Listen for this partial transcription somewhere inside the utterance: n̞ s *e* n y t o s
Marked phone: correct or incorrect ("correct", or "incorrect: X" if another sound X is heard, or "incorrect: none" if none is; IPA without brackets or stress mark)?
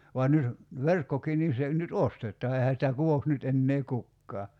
correct